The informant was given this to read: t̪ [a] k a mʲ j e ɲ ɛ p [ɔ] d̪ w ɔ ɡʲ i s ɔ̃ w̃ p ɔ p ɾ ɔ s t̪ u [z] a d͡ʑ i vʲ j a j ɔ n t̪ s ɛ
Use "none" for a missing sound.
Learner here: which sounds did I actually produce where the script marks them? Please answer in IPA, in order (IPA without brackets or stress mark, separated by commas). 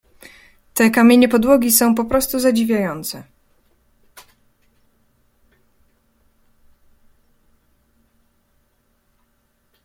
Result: ɛ, ɔ, z